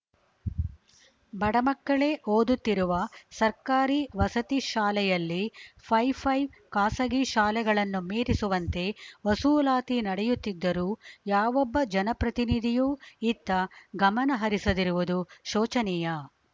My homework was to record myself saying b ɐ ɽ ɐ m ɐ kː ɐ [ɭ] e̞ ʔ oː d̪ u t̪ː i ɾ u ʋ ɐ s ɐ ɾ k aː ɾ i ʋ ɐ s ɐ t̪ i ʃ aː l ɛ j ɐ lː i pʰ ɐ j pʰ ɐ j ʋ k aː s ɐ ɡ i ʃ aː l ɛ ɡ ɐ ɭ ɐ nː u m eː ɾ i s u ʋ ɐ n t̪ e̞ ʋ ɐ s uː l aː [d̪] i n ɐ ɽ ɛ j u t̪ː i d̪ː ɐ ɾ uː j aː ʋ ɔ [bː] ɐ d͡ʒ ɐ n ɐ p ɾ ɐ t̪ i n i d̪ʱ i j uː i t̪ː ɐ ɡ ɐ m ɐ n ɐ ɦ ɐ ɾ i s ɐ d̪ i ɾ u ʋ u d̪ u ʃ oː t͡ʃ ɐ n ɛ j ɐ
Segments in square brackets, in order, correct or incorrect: correct, incorrect: t̪, correct

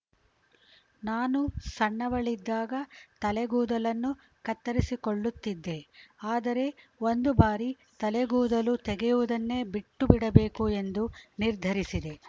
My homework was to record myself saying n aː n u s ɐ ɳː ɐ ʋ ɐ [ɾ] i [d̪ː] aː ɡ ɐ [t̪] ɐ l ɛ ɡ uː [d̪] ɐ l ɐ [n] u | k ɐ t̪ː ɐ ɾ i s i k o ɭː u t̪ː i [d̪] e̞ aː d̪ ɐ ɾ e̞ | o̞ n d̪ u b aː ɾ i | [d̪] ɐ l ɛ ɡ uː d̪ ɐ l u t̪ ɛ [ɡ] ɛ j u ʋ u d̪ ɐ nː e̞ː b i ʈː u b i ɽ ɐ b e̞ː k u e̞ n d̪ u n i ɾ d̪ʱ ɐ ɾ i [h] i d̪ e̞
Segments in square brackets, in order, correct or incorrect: incorrect: ɭ, correct, correct, correct, incorrect: nː, incorrect: d̪ː, incorrect: t̪, correct, incorrect: s

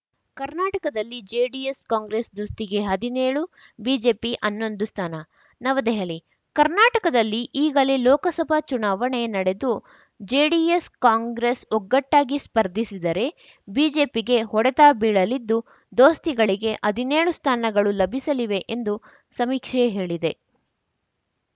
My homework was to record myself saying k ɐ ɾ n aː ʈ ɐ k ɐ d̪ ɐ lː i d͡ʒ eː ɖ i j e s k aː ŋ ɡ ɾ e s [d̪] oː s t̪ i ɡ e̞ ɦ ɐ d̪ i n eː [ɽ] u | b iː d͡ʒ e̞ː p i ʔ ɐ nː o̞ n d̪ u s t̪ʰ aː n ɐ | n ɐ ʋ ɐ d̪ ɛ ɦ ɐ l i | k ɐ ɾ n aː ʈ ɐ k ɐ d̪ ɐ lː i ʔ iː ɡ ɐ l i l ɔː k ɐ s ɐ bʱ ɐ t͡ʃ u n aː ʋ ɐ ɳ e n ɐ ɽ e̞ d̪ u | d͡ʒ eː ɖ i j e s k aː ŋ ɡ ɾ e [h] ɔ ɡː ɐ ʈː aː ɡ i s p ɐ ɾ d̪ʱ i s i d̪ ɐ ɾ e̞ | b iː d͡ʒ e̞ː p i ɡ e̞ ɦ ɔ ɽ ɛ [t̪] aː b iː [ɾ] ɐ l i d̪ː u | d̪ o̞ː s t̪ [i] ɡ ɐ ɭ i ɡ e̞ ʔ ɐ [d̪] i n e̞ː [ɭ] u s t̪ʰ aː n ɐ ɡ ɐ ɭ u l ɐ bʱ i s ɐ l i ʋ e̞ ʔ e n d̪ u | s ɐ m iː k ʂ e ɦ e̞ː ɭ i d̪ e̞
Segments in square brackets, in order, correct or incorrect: correct, incorrect: ɭ, incorrect: s, correct, incorrect: ɭ, correct, correct, correct

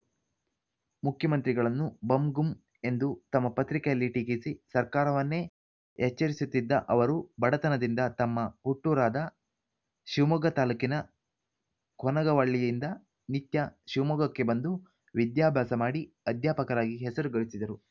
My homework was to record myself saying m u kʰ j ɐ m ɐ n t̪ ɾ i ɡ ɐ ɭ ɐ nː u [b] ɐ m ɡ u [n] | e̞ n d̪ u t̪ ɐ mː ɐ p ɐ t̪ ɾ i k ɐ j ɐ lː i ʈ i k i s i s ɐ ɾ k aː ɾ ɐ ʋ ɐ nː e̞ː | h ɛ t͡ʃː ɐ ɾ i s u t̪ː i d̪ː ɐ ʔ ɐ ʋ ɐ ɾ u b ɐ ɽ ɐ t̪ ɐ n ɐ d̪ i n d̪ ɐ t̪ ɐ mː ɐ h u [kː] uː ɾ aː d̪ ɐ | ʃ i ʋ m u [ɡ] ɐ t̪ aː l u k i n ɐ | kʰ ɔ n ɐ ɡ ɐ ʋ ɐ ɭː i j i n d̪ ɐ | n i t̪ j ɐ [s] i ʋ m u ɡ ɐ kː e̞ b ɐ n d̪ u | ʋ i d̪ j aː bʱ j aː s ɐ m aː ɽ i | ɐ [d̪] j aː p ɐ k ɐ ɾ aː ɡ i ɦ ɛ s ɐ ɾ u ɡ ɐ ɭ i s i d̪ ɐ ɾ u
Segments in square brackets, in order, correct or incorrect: correct, incorrect: m, incorrect: ʈː, correct, incorrect: ʃ, correct

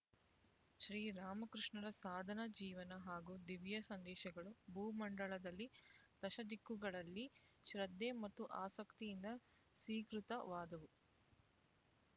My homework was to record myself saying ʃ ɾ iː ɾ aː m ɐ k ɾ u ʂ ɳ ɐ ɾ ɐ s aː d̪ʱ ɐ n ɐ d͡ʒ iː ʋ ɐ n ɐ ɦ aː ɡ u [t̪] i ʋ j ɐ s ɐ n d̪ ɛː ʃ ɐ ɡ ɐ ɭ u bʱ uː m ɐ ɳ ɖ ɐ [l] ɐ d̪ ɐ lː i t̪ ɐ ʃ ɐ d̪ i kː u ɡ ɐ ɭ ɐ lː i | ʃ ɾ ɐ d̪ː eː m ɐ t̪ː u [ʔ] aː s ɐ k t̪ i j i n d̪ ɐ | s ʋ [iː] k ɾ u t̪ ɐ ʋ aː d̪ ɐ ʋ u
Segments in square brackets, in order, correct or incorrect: incorrect: d̪, incorrect: ɭ, correct, correct

